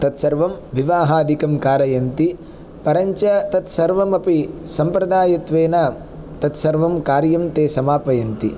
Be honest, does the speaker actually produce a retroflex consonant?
no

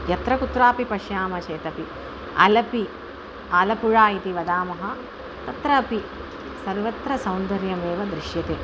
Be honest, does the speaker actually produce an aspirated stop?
no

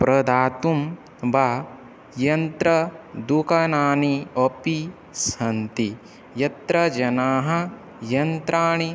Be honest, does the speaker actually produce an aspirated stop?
no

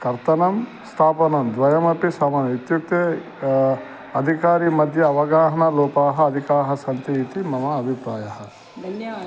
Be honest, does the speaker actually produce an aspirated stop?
yes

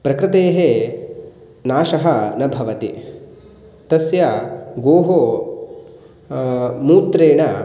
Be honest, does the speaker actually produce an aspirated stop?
no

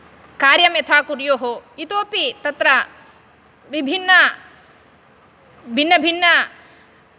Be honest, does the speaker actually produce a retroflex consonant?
no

